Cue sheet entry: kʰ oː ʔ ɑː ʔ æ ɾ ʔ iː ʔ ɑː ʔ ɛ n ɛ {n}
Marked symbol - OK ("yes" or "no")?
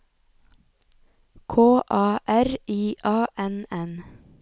yes